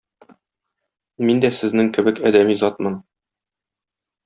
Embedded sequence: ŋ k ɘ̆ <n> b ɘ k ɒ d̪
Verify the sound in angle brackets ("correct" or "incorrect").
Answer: incorrect